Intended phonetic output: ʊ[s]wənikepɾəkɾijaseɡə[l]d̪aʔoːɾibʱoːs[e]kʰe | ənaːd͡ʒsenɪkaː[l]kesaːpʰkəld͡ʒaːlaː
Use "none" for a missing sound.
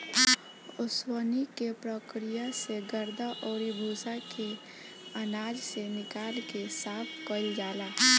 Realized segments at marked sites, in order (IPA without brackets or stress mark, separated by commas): s, ɾ, a, l